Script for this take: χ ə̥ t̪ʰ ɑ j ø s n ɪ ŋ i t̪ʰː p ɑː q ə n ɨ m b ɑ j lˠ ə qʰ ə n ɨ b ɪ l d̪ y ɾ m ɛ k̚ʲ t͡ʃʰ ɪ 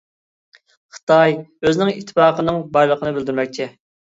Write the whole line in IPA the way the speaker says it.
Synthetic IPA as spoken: χ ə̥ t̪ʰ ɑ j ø z n ɪ ŋ i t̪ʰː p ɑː q ə n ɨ ŋ b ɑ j lˠ ə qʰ ə n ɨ b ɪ l d̪ y ɾ m ɛ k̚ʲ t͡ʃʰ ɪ